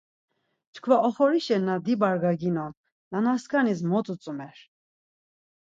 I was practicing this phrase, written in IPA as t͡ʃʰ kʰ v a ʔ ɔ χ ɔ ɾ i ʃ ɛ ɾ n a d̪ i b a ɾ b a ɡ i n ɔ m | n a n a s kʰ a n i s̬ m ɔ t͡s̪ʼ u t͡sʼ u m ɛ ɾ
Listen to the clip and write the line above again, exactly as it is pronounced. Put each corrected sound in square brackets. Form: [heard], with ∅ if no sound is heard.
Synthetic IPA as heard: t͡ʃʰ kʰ v a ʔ ɔ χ ɔ ɾ i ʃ ɛ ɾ n a d̪ i b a ɾ [ɡ] a ɡ i n ɔ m | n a n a s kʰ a n i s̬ m ɔ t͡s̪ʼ u t͡sʼ u m ɛ ɾ

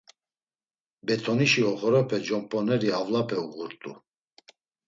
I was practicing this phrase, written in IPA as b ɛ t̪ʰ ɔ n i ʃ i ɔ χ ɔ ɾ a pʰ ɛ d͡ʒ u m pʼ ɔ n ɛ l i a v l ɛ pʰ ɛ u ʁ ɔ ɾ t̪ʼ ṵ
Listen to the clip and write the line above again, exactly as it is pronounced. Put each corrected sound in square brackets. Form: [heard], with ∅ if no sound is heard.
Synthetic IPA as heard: b ɛ t̪ʰ ɔ n i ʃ i ɔ χ ɔ ɾ a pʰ ɛ d͡ʒ [ɔ] m pʼ ɔ n ɛ [ɾ] i a v l [a] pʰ ɛ u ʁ [u] ɾ t̪ʼ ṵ

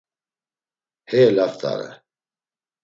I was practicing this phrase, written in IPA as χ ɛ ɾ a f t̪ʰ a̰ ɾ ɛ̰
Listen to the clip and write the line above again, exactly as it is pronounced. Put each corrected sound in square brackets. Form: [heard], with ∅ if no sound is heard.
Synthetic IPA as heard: [h] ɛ [l] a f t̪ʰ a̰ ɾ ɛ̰

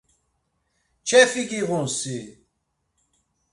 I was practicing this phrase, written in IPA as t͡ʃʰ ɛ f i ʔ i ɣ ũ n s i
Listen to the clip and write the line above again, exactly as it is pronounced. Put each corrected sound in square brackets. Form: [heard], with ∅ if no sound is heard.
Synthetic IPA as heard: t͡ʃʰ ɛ f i [k] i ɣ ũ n s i

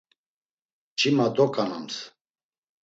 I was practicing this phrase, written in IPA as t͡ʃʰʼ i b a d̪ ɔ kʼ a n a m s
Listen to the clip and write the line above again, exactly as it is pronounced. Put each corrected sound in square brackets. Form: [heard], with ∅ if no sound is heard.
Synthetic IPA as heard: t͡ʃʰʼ i [m] a d̪ ɔ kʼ a n a m s

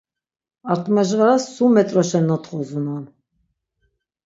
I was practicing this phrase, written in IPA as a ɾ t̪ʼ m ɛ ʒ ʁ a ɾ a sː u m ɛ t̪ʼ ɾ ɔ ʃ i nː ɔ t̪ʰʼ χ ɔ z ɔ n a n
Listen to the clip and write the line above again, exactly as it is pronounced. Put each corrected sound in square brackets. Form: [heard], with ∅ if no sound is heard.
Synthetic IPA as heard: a ɾ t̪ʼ m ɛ ʒ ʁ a ɾ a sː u m ɛ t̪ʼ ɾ ɔ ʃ [ɛ] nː ɔ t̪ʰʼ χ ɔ z [u] n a n

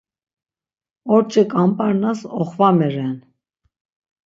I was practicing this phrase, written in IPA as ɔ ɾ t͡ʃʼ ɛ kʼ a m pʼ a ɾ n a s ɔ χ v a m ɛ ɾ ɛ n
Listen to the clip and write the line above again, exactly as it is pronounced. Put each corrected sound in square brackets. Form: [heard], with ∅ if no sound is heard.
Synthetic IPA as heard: ɔ ɾ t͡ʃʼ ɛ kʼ a m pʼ a ɾ n a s ɔ χ v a m ɛ ɾ ɛ n

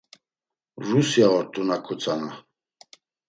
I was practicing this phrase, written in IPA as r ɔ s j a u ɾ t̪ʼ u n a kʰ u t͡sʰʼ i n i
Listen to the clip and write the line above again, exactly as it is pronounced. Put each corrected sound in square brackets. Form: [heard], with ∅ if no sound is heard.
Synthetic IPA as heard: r [u] s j a [ɔ] ɾ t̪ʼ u n a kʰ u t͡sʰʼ [a] n [a]

